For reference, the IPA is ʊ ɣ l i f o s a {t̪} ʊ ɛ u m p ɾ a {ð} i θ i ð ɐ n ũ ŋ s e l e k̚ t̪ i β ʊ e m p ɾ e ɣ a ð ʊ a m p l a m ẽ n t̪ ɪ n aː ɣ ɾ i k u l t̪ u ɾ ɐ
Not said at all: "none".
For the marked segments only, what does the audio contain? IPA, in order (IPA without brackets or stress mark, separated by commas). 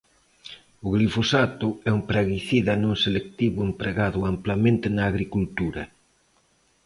t̪, ɣ